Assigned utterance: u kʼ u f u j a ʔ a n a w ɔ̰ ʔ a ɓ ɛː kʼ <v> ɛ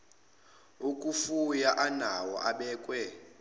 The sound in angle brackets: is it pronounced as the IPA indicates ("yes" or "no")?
no